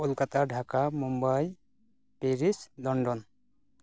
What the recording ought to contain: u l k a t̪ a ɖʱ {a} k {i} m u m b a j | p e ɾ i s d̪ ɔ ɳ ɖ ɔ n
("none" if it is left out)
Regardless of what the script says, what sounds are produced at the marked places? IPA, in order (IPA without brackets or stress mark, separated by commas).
a, a